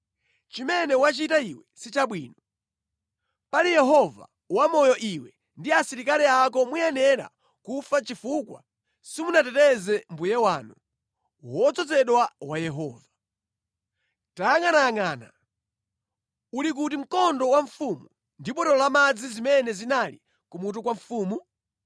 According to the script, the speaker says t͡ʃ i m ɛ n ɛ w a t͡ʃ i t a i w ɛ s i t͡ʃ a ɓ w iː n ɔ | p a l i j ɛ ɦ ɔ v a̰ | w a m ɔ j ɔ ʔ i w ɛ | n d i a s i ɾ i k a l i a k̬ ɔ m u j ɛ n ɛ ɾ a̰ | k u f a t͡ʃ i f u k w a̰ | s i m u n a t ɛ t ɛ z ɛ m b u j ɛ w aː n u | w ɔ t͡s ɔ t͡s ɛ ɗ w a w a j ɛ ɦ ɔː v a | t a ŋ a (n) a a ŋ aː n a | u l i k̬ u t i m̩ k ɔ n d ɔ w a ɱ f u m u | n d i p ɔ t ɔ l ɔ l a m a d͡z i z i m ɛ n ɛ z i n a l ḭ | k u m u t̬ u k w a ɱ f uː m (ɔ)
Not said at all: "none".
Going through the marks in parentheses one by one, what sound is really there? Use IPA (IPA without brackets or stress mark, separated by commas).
n, u